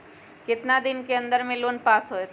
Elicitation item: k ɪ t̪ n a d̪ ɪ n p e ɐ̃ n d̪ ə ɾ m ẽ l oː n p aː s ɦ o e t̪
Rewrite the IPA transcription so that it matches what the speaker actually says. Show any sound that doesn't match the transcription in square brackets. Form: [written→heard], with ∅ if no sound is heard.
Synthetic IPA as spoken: k ɪ t̪ n a d̪ ɪ n [p→k] e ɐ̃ n d̪ ə ɾ m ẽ l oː n p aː s ɦ o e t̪